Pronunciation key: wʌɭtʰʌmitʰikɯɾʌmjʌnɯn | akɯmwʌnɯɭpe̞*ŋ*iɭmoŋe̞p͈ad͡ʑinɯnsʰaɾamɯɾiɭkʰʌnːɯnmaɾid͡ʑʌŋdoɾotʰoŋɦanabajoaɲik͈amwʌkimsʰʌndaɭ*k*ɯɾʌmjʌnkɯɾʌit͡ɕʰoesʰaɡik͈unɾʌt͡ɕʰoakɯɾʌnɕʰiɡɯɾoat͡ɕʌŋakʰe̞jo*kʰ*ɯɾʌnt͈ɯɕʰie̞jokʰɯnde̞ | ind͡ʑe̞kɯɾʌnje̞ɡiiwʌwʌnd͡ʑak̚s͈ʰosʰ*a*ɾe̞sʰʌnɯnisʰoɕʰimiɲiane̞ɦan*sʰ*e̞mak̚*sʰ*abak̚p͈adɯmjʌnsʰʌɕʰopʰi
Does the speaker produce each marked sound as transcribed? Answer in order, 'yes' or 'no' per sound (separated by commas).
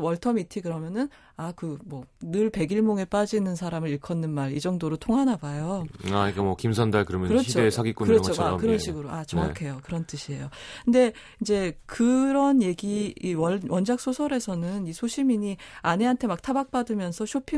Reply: no, yes, no, no, no, no